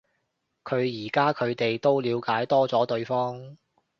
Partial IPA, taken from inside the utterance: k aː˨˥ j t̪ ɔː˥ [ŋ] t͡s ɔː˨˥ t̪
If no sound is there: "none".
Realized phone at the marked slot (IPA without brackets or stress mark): none